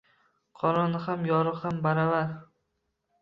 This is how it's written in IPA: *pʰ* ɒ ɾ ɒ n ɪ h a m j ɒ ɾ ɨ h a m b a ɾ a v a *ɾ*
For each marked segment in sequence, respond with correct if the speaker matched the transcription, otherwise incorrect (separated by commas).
incorrect, correct